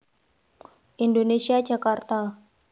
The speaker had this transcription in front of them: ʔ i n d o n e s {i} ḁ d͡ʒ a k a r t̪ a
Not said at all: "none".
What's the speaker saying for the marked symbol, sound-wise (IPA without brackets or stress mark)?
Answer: i